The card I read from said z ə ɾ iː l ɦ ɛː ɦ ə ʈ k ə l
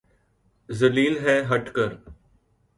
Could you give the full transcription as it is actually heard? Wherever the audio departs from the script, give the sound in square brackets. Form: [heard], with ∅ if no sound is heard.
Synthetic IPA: z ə [l] iː l ɦ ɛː ɦ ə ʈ k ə [ɾ]